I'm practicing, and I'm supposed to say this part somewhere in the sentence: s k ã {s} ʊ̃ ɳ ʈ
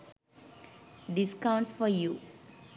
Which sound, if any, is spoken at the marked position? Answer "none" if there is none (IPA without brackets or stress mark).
none